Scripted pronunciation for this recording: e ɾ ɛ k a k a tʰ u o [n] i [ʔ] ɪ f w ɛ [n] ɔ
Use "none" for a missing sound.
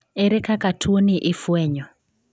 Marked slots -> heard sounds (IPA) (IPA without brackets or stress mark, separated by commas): n, ʔ, ɲ